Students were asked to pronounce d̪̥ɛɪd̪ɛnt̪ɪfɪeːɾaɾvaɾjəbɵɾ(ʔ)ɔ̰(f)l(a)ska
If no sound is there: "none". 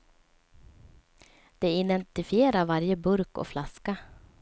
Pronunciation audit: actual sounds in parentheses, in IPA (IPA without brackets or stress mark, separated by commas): k, f, a